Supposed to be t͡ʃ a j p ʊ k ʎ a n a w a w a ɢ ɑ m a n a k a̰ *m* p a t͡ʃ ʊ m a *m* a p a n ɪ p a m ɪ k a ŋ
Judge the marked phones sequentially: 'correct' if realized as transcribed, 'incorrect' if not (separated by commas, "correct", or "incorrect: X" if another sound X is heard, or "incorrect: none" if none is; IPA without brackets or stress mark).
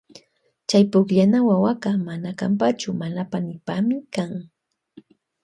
correct, incorrect: n